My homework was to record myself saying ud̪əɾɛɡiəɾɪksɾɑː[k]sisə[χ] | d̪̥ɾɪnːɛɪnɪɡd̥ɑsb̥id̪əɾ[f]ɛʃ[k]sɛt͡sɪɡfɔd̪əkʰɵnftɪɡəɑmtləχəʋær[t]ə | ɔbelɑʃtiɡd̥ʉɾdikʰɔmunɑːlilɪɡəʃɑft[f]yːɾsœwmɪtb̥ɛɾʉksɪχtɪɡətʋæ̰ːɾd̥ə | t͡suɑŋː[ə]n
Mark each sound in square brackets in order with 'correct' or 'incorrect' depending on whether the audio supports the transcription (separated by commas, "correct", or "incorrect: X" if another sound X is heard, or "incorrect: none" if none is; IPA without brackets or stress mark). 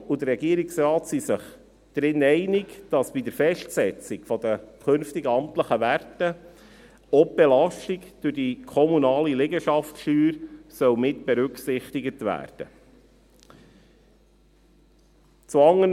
incorrect: t, correct, correct, incorrect: t, correct, incorrect: ʃ, correct